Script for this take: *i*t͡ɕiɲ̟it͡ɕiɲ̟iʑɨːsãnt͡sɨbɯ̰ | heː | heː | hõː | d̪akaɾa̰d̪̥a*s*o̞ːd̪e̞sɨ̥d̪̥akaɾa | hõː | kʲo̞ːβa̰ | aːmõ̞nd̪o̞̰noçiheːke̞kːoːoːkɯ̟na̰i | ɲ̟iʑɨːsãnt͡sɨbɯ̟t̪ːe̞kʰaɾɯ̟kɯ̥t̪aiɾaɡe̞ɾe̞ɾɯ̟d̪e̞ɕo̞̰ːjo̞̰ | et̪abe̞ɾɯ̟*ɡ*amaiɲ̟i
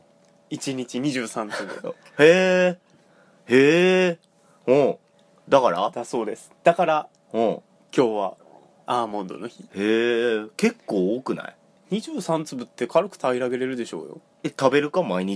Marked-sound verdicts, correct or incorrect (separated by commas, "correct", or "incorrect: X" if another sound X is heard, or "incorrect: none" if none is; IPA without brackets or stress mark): correct, correct, incorrect: k